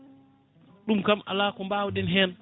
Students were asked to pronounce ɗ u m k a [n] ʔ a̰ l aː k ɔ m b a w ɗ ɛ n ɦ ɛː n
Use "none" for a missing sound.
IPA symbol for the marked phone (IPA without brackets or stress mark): m